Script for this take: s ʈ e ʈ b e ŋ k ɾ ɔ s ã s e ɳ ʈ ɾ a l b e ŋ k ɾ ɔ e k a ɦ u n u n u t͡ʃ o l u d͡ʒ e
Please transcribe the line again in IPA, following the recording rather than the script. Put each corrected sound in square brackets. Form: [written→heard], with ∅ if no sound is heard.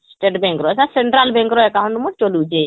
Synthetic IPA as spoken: s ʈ e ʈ b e ŋ k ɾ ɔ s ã s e ɳ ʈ ɾ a l b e ŋ k ɾ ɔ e k a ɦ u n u [n→m] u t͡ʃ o l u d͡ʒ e